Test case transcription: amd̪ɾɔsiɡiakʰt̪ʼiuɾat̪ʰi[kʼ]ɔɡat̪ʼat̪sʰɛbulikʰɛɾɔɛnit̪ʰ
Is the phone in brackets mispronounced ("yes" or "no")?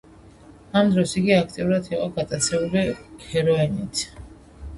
yes